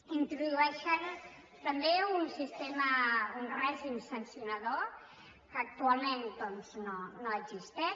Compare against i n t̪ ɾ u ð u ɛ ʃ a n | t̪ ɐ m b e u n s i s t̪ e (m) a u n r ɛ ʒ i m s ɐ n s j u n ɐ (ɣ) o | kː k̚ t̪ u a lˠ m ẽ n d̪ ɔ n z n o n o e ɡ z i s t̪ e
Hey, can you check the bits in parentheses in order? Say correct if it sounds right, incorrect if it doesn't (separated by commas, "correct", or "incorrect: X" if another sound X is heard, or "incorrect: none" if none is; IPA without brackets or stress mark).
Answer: correct, incorrect: ð